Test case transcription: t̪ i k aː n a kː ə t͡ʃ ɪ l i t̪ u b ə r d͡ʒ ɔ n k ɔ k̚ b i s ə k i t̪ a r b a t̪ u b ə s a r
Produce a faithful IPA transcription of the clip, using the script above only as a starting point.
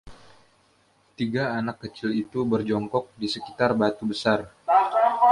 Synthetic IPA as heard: t̪ i ɡ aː n a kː ə t͡ʃ ɪ l i t̪ u b ə r d͡ʒ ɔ ŋ k ɔ k̚ d i s ə k i t̪ a r b a t̪ u b ə s a r